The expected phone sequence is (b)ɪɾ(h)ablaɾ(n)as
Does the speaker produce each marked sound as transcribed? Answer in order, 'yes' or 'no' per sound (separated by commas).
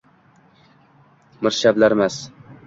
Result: no, no, no